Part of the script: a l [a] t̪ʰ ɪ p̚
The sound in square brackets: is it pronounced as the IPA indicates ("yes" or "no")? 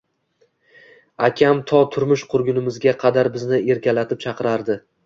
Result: yes